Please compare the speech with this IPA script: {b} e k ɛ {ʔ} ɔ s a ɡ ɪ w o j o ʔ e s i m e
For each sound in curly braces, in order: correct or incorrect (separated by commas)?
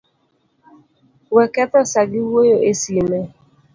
incorrect, incorrect